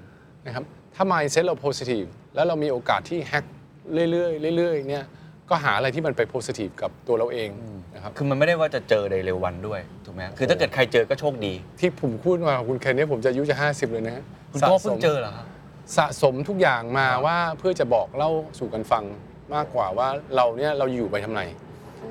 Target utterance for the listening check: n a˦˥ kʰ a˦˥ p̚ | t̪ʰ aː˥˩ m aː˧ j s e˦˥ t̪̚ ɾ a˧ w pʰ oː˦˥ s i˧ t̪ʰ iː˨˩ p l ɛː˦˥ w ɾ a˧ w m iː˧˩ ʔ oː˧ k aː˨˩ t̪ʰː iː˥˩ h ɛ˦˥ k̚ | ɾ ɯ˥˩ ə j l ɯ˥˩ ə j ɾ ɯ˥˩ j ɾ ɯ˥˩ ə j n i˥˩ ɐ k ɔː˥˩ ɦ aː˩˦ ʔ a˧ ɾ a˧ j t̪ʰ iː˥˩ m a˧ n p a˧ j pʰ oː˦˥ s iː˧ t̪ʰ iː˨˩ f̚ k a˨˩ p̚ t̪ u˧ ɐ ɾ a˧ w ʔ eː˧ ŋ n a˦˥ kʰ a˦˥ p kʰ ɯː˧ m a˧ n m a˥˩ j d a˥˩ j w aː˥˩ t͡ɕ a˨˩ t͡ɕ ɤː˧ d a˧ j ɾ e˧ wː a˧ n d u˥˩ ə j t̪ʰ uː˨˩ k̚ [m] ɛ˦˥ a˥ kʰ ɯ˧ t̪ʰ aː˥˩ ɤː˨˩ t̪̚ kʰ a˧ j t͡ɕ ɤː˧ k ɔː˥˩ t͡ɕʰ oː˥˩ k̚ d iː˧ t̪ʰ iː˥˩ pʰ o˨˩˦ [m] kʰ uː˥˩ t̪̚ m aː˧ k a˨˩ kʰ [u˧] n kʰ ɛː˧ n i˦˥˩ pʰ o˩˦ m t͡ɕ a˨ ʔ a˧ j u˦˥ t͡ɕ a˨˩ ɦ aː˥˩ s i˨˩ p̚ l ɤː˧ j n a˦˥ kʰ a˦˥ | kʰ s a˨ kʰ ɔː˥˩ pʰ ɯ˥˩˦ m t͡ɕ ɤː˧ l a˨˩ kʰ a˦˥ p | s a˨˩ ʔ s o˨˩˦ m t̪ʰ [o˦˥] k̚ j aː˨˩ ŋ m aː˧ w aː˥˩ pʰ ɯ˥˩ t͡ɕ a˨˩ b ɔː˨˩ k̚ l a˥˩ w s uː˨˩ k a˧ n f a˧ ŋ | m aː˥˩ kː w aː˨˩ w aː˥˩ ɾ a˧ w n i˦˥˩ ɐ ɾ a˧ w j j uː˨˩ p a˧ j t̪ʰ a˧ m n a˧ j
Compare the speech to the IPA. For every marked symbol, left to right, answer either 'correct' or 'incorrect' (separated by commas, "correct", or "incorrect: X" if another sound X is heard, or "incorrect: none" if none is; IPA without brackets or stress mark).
correct, correct, correct, incorrect: u˦˥